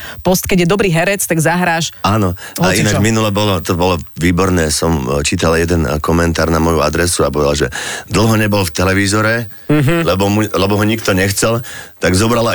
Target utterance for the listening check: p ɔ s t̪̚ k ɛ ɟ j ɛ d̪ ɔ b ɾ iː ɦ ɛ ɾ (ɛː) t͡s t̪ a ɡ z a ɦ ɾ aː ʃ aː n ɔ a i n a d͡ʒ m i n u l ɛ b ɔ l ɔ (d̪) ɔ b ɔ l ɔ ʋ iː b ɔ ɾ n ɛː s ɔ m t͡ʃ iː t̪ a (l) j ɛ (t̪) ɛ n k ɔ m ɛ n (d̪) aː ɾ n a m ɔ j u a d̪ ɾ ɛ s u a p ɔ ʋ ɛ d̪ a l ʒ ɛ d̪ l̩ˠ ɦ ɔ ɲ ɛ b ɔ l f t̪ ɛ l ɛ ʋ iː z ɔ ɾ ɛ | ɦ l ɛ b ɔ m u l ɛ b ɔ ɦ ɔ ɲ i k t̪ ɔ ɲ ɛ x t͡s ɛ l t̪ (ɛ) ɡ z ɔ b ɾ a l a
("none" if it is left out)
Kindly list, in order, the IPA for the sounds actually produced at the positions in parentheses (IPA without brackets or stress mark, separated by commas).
ɛ, t̪, l, d̪, t̪, a